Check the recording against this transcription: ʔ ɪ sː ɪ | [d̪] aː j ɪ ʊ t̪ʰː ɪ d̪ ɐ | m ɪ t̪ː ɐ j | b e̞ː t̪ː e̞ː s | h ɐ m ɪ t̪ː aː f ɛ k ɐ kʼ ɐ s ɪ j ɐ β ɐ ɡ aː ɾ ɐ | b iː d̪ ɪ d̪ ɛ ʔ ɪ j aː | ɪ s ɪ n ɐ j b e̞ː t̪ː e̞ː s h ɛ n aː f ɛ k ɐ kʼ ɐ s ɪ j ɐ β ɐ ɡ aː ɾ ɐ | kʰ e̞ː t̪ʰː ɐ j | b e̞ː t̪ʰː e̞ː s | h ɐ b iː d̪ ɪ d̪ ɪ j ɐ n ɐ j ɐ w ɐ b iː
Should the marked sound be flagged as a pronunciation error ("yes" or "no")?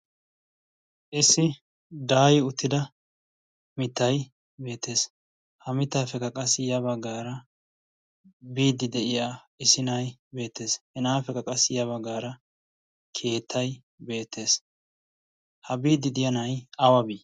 no